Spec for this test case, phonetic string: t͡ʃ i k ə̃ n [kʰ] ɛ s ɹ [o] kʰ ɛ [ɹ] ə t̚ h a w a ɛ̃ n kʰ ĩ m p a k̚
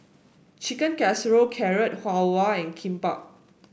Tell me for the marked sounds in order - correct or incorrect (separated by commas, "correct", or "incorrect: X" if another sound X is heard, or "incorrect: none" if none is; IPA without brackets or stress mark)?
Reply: incorrect: k, correct, correct